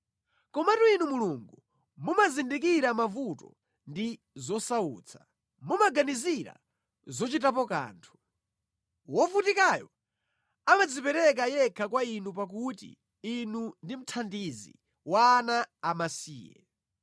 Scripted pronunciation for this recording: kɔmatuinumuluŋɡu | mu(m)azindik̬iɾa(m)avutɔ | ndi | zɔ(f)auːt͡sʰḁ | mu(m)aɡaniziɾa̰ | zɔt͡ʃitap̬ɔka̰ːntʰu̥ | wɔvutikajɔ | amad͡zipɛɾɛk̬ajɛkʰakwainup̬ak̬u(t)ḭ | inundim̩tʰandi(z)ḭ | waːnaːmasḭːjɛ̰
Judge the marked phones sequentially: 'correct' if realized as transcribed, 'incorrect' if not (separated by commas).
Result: correct, correct, incorrect, correct, correct, correct